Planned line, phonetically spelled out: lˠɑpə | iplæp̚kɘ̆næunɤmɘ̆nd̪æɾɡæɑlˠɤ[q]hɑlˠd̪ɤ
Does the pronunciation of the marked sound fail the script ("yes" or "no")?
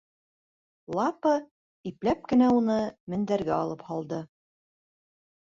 yes